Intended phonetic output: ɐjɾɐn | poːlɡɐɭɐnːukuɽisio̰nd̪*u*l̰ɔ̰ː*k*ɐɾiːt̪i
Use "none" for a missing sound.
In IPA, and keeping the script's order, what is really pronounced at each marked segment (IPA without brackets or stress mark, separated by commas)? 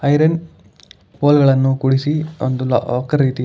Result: u, k